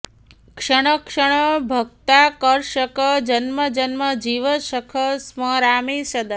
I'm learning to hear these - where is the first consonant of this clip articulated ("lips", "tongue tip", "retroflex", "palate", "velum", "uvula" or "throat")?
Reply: velum